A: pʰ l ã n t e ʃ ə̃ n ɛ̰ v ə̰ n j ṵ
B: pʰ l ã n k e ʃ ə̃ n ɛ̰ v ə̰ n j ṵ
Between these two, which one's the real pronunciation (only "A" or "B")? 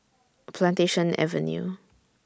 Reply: A